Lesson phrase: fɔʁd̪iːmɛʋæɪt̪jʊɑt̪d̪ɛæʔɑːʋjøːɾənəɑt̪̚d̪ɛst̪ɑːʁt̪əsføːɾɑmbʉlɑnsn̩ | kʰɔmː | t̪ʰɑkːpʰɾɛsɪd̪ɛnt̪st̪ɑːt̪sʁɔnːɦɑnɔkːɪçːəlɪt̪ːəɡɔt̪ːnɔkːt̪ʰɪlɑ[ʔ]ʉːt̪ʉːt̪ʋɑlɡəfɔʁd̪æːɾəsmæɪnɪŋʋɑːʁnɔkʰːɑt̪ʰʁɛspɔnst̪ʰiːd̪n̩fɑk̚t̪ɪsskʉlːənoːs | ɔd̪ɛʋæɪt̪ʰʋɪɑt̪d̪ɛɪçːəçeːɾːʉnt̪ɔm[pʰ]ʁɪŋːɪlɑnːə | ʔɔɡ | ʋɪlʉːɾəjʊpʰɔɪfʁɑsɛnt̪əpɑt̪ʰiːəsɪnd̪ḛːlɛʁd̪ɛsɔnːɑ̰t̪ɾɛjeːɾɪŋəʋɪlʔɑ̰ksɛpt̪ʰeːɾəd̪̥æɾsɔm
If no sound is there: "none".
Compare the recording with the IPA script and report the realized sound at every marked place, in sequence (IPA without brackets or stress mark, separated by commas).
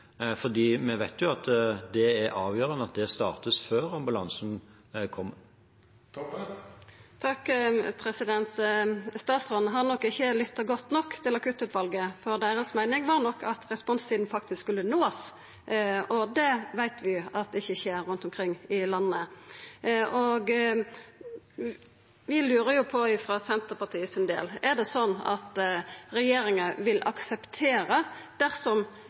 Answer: k, kʰ